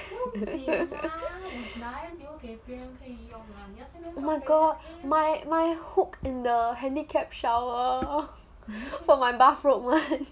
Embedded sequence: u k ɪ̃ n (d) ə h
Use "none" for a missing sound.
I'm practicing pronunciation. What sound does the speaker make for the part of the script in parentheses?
d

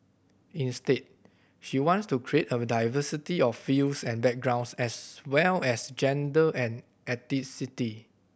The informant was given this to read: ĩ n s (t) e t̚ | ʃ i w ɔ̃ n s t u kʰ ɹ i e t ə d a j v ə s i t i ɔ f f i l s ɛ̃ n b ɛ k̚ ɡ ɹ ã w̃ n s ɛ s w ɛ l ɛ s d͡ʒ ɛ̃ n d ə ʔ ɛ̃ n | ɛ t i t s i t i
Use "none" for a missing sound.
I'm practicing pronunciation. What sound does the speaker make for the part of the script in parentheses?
t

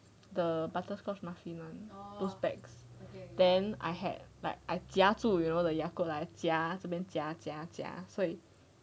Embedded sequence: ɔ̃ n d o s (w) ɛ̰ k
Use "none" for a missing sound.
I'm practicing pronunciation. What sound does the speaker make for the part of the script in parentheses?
b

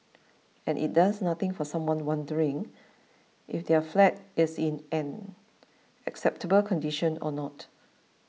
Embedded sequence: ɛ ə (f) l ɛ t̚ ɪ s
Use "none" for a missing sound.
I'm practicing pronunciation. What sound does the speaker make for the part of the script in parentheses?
f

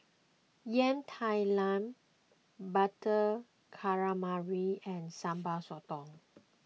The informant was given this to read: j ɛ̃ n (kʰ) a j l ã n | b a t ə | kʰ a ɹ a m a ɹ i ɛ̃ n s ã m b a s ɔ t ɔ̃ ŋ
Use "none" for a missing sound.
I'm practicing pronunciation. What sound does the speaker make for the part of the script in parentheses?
tʰ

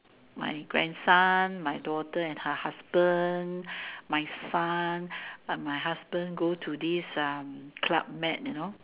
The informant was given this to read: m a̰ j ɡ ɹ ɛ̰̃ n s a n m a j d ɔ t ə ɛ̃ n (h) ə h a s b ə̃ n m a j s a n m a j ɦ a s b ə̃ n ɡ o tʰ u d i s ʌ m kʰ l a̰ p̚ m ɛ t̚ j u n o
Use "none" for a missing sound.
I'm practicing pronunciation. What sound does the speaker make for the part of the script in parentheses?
h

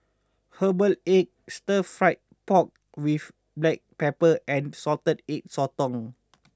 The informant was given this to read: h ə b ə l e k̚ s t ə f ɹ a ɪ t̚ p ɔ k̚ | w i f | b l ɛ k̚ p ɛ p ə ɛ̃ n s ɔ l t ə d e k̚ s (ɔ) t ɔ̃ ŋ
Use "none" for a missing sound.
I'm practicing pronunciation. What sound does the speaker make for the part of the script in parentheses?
ɔ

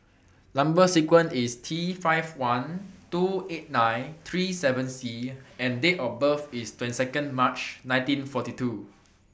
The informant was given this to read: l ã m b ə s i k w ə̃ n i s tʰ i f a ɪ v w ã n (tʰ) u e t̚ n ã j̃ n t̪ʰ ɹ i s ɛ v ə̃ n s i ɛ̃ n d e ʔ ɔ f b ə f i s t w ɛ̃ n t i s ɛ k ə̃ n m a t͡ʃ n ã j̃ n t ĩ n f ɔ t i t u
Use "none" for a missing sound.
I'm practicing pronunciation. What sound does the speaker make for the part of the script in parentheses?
t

